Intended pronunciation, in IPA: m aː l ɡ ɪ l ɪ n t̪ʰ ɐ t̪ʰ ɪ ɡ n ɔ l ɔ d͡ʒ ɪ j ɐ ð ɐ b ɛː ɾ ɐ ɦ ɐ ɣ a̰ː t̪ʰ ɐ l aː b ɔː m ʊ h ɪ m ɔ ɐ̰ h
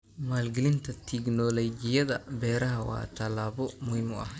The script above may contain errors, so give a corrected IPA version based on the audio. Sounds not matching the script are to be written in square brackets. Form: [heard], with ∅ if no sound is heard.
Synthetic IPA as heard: m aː l ɡ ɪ l ɪ n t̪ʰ ɐ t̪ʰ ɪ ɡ n ɔ l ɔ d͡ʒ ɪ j ɐ ð ɐ b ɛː ɾ ɐ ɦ ɐ [w] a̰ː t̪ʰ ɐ l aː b [ɔ] m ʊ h ɪ m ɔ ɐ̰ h